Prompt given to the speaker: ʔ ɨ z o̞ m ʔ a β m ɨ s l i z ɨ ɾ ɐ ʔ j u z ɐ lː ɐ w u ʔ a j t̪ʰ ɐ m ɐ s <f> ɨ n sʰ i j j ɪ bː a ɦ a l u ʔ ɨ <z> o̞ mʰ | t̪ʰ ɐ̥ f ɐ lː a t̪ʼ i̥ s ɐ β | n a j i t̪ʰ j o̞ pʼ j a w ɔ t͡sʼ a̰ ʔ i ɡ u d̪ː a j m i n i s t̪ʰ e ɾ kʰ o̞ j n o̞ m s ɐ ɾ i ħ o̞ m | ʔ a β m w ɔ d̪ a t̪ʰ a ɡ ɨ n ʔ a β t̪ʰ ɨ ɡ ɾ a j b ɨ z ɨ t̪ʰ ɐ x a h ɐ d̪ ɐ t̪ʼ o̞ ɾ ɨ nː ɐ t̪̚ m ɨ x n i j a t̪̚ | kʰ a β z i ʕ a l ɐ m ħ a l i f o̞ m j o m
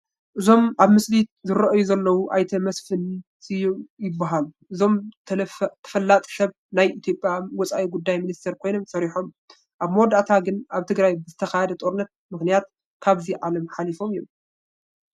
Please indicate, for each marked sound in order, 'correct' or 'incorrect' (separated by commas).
correct, correct